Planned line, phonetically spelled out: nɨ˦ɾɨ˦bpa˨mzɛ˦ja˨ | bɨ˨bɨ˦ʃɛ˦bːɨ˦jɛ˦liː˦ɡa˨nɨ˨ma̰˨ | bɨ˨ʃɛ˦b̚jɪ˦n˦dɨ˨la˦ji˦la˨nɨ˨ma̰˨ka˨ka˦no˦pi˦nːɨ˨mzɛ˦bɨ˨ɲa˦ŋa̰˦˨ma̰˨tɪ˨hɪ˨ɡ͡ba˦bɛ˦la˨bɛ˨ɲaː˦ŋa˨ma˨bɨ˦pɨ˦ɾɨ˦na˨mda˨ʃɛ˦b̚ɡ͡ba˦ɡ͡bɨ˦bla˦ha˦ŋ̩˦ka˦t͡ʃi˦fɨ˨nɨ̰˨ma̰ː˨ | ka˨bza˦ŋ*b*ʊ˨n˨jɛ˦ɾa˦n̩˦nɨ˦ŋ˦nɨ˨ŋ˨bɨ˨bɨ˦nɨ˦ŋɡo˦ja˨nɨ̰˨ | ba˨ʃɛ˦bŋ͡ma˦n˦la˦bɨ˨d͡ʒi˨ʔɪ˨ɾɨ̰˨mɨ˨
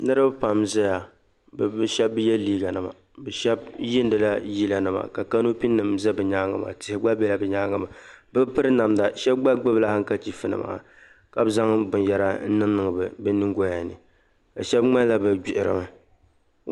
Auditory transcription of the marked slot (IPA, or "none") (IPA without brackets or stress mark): b